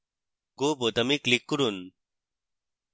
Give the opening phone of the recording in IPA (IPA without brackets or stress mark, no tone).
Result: ɡ